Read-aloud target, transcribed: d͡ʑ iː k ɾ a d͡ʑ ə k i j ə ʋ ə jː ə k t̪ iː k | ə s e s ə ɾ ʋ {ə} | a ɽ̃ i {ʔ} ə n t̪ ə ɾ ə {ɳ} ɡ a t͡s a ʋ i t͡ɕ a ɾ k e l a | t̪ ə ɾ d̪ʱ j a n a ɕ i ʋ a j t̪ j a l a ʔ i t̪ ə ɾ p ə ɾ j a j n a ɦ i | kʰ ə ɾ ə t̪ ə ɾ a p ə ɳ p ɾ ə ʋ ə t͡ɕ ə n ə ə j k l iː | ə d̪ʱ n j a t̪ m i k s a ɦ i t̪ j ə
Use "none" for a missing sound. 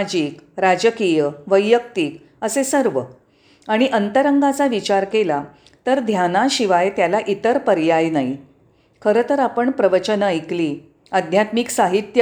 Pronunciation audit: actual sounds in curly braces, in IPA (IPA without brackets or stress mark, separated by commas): ə, ʔ, ŋ